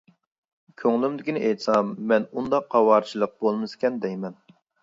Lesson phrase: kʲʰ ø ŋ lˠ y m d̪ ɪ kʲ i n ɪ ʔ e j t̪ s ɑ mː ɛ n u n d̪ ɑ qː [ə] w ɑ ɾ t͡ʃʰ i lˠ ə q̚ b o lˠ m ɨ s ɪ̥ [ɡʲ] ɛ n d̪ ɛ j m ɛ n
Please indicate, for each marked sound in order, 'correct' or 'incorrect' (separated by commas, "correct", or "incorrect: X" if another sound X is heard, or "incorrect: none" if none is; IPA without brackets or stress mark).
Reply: incorrect: ɑ, incorrect: kʲ